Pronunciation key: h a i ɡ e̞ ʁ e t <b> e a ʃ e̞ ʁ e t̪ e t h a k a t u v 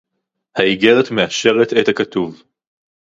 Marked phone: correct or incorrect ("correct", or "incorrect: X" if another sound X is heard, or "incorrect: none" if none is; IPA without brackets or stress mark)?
incorrect: m